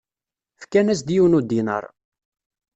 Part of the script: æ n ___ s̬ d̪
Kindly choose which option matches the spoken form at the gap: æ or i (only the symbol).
æ